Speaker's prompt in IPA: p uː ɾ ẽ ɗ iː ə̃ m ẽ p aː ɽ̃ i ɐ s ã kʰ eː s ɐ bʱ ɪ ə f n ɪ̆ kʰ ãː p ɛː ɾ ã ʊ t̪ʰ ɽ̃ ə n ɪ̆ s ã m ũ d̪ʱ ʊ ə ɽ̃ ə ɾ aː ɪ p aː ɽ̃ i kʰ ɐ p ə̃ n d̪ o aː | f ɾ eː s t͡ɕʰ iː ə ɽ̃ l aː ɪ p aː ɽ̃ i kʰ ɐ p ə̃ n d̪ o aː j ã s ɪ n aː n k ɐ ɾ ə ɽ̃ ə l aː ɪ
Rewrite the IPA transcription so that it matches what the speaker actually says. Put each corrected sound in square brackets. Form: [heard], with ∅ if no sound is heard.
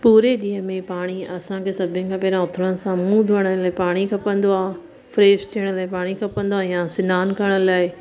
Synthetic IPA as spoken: p uː ɾ [e] ɗ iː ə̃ m ẽ p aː ɽ̃ i ɐ s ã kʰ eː s ɐ bʱ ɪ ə [∅] n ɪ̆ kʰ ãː p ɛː ɾ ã ʊ t̪ʰ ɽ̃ ə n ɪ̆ s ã m ũ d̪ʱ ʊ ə ɽ̃ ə [l] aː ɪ p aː ɽ̃ i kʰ ɐ p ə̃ n d̪ o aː | f ɾ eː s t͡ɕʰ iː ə ɽ̃ l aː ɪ p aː ɽ̃ i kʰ ɐ p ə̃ n d̪ o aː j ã s ɪ n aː n k ɐ ɾ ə ɽ̃ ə l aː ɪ